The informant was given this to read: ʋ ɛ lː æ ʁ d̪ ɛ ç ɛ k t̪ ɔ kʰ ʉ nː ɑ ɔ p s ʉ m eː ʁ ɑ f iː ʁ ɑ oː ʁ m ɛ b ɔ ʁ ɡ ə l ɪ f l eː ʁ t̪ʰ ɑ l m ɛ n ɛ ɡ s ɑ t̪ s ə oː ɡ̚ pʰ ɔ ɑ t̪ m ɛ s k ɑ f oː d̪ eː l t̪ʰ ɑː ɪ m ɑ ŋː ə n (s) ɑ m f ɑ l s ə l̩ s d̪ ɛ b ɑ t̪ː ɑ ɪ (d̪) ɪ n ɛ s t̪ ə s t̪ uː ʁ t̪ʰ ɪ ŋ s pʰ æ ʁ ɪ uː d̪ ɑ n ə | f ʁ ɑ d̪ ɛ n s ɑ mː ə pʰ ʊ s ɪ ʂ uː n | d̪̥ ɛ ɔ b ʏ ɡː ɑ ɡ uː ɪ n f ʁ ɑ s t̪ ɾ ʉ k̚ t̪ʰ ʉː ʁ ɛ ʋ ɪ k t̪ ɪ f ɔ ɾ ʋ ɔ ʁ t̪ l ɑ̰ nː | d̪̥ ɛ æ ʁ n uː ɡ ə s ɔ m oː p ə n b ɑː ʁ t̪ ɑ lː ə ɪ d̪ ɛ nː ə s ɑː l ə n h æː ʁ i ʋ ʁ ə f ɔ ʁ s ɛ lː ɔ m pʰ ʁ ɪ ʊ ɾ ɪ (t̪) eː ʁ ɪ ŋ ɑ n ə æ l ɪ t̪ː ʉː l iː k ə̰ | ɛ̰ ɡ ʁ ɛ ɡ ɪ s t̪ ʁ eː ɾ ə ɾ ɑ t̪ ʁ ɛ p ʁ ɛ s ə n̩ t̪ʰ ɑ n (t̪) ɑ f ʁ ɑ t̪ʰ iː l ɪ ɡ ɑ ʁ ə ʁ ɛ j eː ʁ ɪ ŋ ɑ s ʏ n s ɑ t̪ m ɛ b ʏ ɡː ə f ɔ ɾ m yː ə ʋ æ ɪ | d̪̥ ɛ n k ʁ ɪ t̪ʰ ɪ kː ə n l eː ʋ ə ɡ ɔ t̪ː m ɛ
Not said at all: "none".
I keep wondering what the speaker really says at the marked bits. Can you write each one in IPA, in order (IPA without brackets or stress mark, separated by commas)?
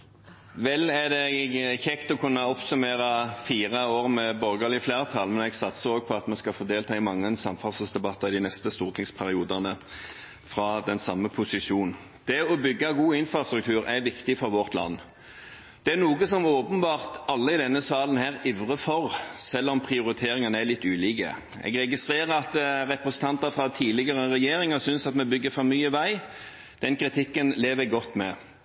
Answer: s, d̪, t̪ʰ, t̪